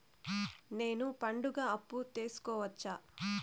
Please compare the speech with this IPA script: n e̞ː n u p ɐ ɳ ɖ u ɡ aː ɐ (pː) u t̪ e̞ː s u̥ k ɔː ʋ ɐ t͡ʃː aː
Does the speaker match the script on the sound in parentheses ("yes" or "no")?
yes